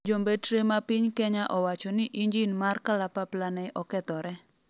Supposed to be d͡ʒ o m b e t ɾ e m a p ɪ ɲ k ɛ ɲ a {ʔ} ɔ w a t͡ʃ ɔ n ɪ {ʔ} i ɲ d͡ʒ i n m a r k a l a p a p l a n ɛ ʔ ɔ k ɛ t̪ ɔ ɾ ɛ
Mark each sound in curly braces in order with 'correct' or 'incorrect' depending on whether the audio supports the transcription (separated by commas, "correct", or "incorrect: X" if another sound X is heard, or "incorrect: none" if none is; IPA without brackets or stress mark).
correct, correct